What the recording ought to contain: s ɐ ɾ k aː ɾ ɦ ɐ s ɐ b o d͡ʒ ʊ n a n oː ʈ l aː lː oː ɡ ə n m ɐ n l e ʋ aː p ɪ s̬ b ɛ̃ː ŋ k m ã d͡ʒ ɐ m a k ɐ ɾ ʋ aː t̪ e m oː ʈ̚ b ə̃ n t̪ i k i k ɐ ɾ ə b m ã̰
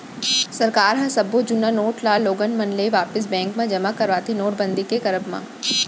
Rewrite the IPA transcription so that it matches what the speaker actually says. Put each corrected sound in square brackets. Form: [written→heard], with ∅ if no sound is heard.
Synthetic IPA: s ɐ ɾ k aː ɾ ɦ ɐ s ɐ b o d͡ʒ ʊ n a n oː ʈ l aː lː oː ɡ ə n m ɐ n l e ʋ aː p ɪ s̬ b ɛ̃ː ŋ k m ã d͡ʒ ɐ m a k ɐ ɾ ʋ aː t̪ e [m→n] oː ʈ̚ b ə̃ n [t̪→d̪] i k [i→e] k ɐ ɾ ə b m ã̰